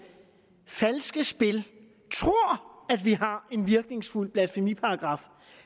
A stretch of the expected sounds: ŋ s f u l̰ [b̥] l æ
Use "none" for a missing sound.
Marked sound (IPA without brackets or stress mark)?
b̥